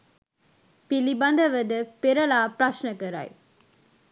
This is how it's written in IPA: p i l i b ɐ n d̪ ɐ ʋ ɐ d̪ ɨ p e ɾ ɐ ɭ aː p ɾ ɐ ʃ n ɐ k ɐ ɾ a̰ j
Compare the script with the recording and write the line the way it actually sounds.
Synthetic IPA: p i l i b ɐ n d̪ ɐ ʋ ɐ d̪ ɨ p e ɾ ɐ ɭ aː p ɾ ɐ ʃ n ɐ k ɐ ɾ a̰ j